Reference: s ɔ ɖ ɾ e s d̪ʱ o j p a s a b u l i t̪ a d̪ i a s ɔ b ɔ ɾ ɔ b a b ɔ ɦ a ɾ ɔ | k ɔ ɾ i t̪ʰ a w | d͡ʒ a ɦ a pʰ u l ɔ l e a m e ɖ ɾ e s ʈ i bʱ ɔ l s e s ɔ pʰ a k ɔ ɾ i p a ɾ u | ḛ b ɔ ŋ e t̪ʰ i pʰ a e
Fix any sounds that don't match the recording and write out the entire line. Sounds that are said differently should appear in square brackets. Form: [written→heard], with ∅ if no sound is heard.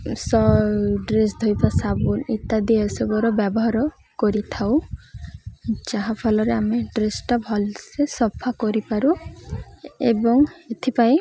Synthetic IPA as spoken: s ɔ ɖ ɾ e s d̪ʱ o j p a s a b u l i t̪ a d̪ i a s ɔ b ɔ ɾ ɔ b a b ɔ ɦ a ɾ ɔ | k ɔ ɾ i t̪ʰ a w | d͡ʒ a ɦ a pʰ [u→ɔ] l ɔ [l→ɾ] e a m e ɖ ɾ e s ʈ [i→a] bʱ ɔ l s e s ɔ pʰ a k ɔ ɾ i p a ɾ u | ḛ b ɔ ŋ e t̪ʰ i [pʰ→p] a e